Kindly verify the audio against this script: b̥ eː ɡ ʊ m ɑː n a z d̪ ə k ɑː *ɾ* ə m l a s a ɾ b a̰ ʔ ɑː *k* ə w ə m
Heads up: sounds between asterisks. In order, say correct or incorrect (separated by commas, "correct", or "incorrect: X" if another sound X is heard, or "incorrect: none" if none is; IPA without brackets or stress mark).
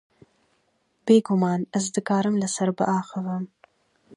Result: correct, incorrect: x